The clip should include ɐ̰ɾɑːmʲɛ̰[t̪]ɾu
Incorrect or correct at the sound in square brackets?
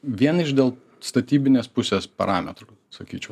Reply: correct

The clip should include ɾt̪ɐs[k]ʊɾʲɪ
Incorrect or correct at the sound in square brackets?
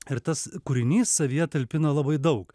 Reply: correct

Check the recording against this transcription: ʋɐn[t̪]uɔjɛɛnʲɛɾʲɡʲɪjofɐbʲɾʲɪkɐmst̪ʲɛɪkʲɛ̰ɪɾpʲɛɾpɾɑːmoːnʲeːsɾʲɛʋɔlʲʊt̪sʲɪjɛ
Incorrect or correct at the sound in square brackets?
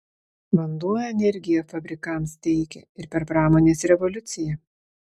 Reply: incorrect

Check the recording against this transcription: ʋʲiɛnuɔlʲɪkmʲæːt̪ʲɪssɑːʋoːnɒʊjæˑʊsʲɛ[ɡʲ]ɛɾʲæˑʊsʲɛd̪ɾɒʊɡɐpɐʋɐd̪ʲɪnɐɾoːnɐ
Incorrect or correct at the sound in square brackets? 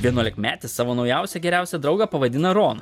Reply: correct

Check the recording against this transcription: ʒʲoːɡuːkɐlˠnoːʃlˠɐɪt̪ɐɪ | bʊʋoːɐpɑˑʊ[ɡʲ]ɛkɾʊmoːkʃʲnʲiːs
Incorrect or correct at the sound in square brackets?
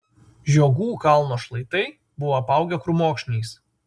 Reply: correct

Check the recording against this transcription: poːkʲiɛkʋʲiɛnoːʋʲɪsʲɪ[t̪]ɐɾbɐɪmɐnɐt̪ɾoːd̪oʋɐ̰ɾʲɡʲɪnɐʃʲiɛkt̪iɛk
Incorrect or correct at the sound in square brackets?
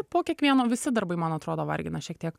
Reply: incorrect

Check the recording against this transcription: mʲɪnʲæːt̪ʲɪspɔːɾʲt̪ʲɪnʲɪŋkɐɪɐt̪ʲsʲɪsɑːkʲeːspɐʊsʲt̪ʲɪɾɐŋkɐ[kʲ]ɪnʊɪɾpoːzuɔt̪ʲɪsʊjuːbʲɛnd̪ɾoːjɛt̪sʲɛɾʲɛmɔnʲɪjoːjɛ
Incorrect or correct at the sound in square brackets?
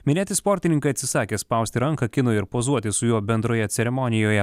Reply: correct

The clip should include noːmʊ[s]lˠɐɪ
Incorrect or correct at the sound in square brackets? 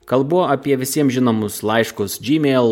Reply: correct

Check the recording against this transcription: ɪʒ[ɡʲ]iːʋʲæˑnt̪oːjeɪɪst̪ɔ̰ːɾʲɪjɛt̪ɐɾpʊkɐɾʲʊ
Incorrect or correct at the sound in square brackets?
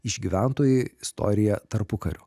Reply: correct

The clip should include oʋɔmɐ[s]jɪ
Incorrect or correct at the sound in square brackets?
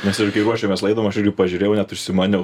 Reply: incorrect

